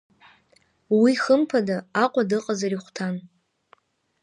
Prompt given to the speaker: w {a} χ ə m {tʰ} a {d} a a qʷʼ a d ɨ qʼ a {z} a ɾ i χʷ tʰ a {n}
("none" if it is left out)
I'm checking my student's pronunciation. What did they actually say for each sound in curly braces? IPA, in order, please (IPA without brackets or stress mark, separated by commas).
i, pʰ, d, z, n